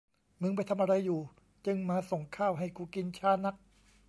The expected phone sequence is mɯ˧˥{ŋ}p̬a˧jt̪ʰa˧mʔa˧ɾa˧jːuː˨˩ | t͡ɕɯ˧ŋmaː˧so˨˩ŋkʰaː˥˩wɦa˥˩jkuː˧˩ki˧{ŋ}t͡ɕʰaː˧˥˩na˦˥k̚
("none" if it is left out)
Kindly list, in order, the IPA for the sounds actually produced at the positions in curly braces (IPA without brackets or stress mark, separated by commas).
ŋ, n